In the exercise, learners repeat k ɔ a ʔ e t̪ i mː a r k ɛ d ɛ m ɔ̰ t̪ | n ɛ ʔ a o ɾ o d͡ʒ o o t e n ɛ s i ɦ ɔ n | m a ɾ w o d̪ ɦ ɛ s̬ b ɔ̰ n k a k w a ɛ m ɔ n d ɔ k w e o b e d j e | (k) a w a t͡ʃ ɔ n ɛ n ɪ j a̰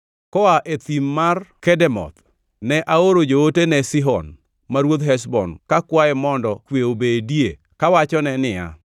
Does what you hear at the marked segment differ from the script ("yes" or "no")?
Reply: no